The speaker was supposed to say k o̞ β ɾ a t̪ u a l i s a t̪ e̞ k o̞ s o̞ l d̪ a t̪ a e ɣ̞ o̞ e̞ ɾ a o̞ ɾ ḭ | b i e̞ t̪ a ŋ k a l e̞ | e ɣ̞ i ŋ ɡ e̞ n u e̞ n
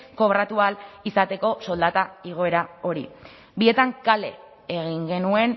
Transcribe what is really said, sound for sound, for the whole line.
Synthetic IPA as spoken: k o̞ β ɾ a t̪ u a l i s a t̪ e̞ k o̞ s o̞ l d̪ a t̪ a i ɣ̞ o̞ e̞ ɾ a o̞ ɾ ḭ | b i e̞ t̪ a ŋ k a l e̞ | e ɣ̞ i ŋ ɡ e̞ n u e̞ n